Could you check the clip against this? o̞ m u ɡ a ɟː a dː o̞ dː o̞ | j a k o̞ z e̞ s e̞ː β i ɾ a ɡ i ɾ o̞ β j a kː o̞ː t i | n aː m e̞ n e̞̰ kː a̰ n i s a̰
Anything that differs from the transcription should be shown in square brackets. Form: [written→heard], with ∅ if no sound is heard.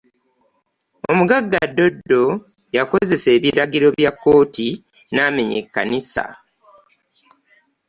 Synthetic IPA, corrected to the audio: o̞ m u ɡ a [ɟː→ɡː] a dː o̞ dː o̞ | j a k o̞ z e̞ s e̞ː β i ɾ a ɡ i ɾ o̞ β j a kː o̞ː t i | n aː m e̞ [n→ɲ] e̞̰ kː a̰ n i s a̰